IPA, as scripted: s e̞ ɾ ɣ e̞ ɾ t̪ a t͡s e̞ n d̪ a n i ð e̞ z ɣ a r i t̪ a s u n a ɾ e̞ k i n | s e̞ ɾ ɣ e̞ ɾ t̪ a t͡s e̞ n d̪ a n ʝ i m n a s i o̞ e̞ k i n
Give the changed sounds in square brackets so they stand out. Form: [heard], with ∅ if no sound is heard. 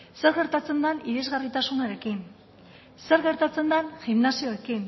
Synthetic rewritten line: s e̞ ɾ ɣ e̞ ɾ t̪ a t͡s e̞ n d̪ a n i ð e̞ z ɣ a r i t̪ a s u n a ɾ e̞ k i n | s e̞ ɾ ɣ e̞ ɾ t̪ a t͡s e̞ n d̪ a n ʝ i m n a s i o̞ e̞ k i n